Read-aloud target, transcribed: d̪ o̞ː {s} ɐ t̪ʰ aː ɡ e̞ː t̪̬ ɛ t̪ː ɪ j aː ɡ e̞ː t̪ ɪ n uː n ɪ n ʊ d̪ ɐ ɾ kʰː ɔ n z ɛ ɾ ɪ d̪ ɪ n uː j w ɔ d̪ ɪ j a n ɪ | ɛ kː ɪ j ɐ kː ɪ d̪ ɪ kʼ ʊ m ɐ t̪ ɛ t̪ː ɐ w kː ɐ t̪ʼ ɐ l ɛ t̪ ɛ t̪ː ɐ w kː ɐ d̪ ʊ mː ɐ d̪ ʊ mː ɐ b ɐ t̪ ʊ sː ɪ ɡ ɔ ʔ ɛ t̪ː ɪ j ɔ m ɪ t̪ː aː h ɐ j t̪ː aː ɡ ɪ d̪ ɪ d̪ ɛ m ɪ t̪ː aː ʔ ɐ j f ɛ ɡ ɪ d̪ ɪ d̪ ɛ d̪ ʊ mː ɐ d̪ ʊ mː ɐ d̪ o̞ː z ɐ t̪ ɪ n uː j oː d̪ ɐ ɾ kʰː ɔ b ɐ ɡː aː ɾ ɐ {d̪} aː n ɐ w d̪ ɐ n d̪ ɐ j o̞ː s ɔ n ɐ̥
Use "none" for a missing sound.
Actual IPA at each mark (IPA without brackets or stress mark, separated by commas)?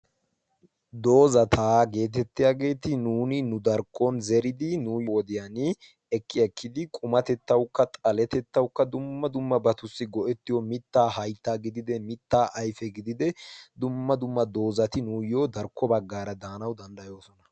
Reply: z, d̪